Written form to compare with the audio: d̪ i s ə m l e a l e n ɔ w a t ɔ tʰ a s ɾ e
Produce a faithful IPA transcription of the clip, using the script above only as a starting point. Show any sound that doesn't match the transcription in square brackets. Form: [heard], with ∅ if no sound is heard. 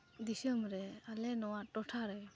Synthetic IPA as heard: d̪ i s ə m [ɾ] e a l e n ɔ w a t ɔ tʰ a [∅] ɾ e